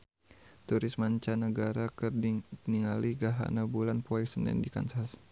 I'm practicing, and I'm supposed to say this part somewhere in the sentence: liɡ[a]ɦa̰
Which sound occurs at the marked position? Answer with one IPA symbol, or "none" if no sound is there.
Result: a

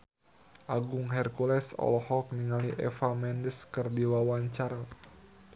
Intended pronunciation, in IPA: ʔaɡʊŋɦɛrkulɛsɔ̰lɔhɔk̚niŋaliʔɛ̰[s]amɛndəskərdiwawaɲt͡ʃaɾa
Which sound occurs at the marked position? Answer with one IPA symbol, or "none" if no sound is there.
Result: f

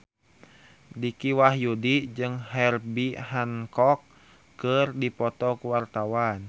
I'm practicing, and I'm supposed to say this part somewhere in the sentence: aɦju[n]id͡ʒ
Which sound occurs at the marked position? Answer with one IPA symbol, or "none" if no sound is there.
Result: d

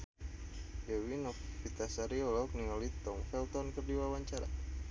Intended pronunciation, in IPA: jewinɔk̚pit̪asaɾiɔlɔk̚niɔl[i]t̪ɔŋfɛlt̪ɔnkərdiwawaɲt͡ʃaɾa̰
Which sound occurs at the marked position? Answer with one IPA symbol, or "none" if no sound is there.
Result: i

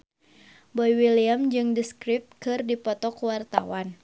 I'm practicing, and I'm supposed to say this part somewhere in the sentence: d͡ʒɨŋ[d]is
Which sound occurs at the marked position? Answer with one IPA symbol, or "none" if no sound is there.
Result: d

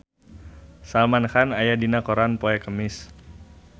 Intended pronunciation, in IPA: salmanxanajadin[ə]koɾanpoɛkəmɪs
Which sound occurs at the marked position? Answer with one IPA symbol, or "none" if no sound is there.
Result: a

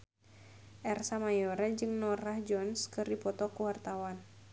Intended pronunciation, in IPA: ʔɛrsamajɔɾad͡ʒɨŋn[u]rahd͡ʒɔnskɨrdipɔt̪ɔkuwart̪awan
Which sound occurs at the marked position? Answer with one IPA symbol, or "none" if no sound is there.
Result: ɔ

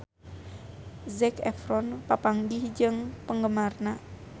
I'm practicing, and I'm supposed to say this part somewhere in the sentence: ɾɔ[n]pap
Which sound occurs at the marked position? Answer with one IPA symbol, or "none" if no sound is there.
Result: n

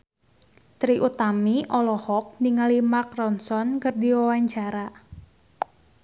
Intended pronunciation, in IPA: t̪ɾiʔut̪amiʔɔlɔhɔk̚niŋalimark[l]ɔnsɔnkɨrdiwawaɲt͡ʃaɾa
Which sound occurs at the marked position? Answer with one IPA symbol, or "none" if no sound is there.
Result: r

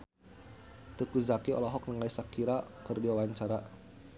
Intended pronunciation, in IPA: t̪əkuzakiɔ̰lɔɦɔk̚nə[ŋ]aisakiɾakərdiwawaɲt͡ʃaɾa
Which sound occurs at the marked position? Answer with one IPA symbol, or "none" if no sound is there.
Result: ŋ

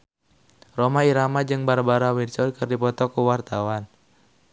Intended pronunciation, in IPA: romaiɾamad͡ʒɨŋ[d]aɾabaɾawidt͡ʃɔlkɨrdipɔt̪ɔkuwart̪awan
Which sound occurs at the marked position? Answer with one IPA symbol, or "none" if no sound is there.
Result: b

